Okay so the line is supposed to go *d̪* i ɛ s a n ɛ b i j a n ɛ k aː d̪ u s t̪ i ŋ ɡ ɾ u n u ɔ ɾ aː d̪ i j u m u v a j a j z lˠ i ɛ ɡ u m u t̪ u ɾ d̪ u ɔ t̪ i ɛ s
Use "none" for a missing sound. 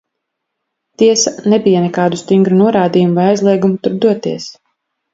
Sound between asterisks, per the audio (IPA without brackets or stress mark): t̪